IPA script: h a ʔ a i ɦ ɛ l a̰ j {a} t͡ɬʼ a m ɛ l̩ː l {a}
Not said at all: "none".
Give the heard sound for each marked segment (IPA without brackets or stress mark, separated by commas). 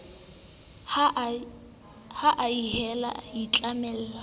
i, a